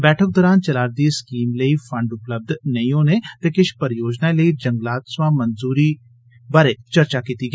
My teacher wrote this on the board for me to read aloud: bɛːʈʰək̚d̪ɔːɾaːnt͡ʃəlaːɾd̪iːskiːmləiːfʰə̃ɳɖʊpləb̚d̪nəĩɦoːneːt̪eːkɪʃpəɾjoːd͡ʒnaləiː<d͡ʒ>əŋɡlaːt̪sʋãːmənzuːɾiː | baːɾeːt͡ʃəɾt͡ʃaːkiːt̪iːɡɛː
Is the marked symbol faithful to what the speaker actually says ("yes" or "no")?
yes